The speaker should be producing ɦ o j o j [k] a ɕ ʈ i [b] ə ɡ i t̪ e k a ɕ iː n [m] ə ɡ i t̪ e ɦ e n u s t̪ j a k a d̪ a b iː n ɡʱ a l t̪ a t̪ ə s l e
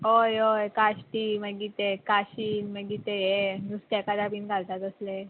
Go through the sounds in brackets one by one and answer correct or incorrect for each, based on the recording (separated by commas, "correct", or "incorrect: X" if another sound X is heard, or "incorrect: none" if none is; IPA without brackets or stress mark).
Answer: correct, incorrect: m, correct